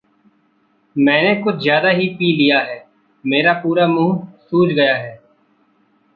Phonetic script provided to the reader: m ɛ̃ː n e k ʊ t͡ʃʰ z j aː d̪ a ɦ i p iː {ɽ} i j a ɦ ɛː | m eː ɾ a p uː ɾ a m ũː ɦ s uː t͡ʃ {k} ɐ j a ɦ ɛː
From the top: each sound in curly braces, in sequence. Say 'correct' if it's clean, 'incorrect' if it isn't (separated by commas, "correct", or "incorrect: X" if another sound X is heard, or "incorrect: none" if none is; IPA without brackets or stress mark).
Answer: incorrect: l, incorrect: ɡ